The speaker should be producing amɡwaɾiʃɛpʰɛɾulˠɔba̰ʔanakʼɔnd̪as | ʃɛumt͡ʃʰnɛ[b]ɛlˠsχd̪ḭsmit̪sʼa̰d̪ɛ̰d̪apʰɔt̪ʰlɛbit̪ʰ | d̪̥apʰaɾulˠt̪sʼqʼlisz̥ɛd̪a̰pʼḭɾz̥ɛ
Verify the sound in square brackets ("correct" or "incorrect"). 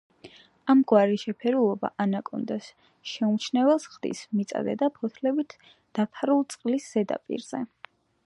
incorrect